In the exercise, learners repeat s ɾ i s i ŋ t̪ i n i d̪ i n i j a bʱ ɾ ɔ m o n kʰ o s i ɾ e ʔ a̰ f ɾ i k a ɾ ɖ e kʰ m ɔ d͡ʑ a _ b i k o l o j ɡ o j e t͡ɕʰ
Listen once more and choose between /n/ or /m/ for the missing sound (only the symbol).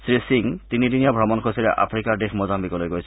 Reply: m